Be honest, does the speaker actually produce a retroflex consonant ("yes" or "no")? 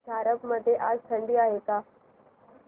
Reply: yes